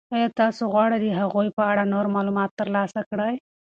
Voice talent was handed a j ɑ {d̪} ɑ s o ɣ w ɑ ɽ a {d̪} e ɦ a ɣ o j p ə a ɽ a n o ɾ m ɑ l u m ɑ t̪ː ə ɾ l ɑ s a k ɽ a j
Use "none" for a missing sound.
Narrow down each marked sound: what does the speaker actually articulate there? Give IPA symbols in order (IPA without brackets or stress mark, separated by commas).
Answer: t̪, d̪